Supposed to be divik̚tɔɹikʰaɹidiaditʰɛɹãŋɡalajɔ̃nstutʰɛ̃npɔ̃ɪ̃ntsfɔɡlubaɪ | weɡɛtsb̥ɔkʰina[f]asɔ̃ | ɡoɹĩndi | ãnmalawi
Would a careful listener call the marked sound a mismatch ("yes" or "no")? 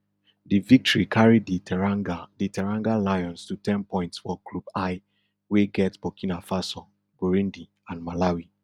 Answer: no